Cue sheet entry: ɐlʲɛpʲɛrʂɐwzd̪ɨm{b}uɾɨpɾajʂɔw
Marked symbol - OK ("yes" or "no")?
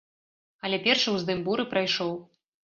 yes